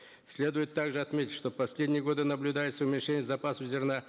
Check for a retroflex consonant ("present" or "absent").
present